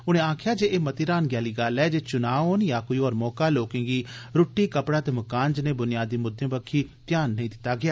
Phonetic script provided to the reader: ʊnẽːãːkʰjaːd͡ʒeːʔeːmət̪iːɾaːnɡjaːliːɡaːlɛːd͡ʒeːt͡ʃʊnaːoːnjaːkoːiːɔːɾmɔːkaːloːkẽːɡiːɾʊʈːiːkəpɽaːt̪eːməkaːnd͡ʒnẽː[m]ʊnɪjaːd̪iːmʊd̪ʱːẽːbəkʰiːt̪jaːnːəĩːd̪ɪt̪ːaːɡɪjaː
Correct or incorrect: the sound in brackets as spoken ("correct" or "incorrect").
incorrect